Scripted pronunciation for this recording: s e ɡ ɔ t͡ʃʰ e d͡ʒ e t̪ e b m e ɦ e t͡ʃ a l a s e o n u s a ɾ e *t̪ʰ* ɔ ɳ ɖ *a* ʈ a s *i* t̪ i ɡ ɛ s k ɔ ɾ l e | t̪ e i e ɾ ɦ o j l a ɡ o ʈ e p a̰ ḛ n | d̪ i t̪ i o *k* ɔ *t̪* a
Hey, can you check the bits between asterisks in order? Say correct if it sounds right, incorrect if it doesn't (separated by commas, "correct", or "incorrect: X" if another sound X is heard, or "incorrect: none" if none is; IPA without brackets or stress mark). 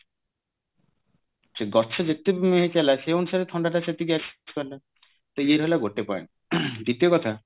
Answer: correct, correct, incorrect: e, correct, incorrect: t̪ʰ